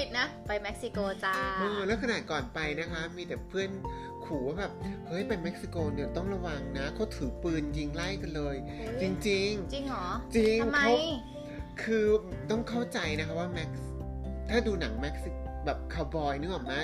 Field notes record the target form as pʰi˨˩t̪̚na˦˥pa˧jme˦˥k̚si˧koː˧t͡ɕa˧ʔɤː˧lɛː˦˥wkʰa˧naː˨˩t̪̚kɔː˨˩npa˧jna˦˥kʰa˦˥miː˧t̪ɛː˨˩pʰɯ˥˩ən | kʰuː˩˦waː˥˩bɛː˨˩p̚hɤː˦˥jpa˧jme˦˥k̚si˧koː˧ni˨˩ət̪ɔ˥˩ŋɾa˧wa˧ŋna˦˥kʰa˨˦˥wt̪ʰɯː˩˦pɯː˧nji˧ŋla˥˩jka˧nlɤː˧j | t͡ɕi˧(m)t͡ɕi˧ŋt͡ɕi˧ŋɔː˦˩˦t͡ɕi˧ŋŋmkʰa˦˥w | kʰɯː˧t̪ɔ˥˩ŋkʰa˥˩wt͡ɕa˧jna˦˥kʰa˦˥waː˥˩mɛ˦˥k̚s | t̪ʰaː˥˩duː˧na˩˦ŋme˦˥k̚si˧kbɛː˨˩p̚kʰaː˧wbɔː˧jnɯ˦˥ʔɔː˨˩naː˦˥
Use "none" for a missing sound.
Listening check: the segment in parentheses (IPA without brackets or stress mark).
ŋ